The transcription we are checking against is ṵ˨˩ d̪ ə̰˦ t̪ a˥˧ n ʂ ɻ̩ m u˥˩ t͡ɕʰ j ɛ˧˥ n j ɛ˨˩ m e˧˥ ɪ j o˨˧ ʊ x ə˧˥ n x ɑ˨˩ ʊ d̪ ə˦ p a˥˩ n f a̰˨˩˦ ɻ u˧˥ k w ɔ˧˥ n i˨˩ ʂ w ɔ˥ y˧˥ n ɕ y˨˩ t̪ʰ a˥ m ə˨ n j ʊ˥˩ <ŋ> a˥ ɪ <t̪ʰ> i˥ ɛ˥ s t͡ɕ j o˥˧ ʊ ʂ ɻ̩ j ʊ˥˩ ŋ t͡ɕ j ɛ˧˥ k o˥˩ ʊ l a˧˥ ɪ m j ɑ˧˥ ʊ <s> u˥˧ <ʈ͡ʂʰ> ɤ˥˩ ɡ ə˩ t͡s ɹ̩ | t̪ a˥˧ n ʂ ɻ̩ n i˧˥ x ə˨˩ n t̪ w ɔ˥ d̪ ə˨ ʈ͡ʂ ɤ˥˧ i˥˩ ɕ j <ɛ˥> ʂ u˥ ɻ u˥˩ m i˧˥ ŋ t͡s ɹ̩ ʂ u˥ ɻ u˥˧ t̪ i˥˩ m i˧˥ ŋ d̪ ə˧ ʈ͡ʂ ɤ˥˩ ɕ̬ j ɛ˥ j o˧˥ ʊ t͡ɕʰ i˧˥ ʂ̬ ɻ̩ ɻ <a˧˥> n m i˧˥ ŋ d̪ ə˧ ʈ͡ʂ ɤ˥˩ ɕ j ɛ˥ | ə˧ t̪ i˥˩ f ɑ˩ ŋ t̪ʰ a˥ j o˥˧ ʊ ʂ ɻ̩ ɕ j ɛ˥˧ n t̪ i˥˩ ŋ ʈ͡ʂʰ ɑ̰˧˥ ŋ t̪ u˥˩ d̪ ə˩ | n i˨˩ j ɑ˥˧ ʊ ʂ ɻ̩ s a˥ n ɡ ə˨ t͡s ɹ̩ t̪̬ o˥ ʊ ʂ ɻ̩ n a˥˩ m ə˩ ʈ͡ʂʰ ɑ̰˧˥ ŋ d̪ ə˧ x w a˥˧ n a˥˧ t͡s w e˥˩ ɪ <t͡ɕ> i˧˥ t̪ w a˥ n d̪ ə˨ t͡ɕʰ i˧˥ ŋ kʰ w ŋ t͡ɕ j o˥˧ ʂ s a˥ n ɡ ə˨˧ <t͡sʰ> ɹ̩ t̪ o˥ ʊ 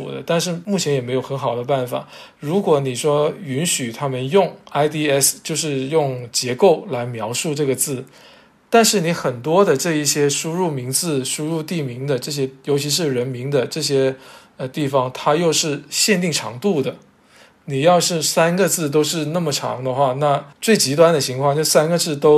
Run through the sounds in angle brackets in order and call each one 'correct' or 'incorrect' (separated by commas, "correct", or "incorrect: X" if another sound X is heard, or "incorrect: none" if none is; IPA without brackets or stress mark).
correct, incorrect: t̪, incorrect: ʂ, incorrect: ʈ͡ʂ, correct, incorrect: ə˧˥, correct, incorrect: t͡s